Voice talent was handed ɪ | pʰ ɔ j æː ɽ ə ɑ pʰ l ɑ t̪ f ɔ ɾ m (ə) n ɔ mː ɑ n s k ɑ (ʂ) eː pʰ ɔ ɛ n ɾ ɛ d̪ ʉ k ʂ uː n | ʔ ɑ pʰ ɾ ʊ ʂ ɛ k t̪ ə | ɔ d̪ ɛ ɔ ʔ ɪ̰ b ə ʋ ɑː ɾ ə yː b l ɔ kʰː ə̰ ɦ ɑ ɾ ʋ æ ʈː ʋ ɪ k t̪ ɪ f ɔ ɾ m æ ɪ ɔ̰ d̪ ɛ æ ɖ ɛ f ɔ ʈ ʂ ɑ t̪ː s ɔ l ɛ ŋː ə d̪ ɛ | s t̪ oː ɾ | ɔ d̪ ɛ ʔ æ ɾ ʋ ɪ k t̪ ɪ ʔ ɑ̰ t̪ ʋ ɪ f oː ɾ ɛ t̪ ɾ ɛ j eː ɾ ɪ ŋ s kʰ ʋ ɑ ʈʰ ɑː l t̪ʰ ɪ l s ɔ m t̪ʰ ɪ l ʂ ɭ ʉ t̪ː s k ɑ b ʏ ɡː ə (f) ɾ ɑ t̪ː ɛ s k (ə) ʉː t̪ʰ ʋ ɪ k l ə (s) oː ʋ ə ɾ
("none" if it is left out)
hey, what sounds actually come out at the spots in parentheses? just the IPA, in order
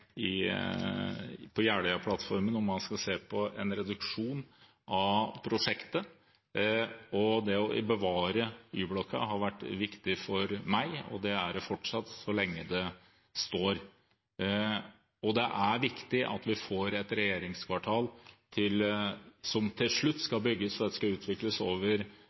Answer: ə, s, s, ɑ, s

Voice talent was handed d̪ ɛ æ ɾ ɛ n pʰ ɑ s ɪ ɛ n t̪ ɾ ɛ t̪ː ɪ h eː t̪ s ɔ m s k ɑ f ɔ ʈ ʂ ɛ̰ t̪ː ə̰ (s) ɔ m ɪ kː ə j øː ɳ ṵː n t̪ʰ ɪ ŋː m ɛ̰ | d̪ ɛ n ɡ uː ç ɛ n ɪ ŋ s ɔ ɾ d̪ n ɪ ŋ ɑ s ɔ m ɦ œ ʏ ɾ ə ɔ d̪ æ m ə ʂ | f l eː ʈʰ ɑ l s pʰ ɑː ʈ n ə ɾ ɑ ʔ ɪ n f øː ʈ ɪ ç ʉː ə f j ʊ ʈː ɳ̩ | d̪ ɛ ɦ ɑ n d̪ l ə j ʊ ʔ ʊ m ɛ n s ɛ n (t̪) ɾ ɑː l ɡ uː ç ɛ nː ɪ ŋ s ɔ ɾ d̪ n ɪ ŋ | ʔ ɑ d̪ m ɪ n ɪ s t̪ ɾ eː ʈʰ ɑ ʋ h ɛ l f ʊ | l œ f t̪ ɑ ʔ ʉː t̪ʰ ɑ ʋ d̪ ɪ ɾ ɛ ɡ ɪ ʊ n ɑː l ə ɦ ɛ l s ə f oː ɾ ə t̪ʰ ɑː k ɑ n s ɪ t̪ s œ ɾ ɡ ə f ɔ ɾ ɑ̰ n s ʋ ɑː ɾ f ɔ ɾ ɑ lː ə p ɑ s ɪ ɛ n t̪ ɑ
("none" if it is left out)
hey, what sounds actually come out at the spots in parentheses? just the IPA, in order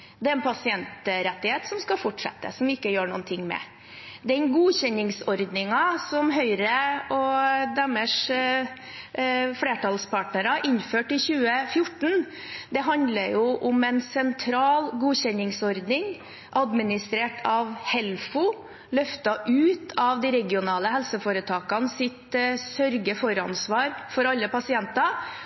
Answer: s, t̪ʰ

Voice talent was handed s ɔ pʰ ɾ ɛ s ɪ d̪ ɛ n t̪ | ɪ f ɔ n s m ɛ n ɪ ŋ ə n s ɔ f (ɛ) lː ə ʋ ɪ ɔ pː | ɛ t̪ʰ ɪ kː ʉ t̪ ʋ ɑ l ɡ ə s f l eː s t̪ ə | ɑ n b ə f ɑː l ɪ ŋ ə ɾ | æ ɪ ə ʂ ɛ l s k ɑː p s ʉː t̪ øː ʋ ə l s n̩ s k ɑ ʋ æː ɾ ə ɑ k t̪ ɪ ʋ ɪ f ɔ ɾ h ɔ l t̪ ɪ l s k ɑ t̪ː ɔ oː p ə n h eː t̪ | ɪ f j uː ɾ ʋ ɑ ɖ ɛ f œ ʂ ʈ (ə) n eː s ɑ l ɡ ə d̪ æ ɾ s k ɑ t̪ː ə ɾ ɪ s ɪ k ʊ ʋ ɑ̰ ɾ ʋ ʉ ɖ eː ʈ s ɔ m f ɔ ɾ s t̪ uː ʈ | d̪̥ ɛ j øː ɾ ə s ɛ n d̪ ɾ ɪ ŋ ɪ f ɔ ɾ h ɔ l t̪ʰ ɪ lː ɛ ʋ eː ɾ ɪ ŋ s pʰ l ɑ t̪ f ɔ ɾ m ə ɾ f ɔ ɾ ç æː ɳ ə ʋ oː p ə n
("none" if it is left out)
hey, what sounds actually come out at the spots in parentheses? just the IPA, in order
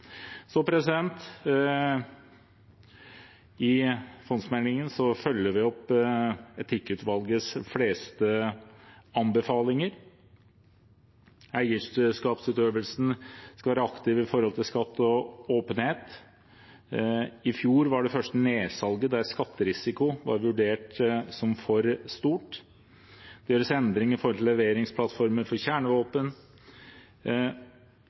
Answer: œ, ə

